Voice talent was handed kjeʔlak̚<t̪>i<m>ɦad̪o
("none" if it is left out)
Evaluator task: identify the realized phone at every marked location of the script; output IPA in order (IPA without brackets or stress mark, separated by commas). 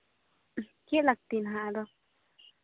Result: t̪, n